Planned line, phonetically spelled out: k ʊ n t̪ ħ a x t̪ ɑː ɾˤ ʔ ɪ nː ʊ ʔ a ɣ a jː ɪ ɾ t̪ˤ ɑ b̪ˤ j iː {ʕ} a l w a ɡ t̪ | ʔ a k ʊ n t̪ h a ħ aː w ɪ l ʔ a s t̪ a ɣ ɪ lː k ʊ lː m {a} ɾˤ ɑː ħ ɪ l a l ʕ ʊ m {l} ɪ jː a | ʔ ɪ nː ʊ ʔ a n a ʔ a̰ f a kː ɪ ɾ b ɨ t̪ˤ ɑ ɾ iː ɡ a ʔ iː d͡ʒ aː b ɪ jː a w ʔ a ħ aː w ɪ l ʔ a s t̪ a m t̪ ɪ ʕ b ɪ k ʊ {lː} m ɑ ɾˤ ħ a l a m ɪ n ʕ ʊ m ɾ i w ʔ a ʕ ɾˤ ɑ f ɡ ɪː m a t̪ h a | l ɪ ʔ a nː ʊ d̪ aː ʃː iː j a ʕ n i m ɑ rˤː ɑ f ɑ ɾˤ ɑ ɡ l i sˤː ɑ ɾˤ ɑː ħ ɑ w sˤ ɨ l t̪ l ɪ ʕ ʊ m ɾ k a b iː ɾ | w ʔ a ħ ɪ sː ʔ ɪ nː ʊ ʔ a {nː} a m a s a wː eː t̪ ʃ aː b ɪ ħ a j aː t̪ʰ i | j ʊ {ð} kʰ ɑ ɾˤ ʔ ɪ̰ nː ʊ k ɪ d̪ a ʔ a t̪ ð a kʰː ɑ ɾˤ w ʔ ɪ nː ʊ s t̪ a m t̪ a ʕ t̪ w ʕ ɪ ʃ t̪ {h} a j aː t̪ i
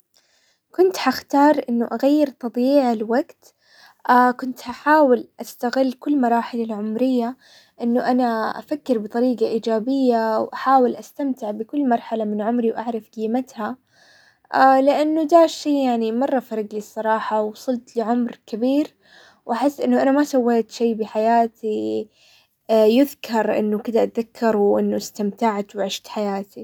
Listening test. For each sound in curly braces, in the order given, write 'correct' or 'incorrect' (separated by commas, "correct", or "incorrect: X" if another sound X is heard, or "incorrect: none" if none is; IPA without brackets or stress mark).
correct, incorrect: ɑ, incorrect: ɾ, correct, incorrect: n, correct, incorrect: ħ